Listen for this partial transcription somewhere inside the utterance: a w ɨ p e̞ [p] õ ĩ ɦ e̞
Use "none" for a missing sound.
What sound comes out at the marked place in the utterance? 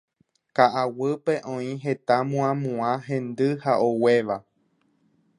ʔ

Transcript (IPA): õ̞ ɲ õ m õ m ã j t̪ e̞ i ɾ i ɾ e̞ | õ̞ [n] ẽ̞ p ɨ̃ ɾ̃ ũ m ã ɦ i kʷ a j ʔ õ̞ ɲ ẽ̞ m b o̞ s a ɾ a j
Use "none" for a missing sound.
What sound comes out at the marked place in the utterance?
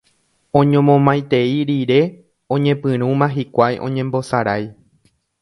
ɲ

